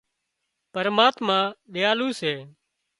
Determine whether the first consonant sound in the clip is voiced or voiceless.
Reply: voiceless